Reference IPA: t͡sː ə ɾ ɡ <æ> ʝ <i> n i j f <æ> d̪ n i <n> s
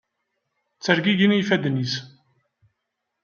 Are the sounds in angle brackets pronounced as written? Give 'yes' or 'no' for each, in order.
no, yes, yes, no

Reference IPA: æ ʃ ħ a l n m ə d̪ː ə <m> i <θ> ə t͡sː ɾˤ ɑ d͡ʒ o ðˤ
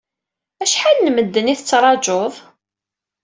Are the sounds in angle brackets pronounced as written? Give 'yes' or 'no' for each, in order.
no, yes

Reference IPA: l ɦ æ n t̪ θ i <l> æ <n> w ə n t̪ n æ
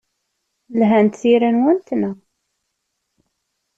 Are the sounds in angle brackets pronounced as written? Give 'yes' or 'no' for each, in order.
no, yes

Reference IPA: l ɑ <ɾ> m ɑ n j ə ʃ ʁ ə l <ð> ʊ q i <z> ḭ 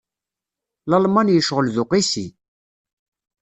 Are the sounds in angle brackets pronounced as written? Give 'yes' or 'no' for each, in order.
no, yes, no

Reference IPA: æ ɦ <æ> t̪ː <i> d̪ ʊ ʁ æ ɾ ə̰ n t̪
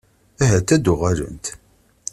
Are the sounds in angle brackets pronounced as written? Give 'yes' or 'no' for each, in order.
yes, no

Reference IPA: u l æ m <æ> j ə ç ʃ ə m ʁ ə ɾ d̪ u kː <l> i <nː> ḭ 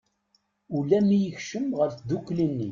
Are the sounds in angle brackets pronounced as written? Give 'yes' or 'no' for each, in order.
no, yes, yes

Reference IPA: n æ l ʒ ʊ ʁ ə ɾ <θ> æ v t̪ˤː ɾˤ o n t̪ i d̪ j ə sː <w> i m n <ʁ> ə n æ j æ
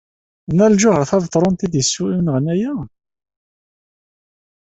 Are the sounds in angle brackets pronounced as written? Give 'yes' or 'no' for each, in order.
yes, no, yes

